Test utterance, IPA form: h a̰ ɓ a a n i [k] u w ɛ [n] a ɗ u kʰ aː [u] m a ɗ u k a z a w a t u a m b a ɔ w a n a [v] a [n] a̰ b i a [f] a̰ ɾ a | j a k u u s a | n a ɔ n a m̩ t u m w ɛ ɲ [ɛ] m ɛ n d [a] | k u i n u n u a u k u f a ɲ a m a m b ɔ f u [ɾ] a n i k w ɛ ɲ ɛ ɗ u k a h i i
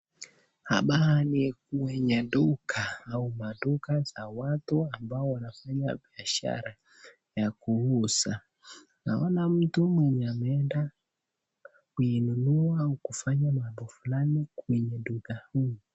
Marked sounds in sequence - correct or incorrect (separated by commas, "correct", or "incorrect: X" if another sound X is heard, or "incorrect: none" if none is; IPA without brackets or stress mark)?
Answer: correct, incorrect: ɲ, correct, incorrect: f, incorrect: ɲ, incorrect: ʃ, incorrect: a, correct, incorrect: l